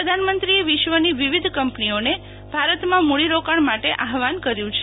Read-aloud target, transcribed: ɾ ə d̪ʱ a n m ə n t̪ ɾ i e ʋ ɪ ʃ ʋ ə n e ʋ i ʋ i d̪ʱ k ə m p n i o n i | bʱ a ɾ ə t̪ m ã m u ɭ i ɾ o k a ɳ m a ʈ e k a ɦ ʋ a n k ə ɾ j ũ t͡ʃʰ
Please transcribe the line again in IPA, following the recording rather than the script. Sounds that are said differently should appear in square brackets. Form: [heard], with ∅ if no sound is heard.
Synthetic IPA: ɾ ə d̪ʱ a n m ə n t̪ ɾ i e ʋ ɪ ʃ ʋ ə n [i] ʋ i ʋ i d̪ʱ k ə m p n i o n [e] | bʱ a ɾ ə t̪ m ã m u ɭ i ɾ o k a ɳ m a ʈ e [ʔ] a ɦ ʋ a n k ə ɾ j ũ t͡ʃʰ